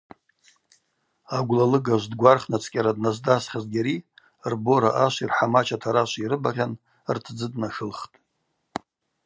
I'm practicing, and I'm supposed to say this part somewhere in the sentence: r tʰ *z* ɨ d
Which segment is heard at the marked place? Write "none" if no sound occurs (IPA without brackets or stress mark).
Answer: d͡z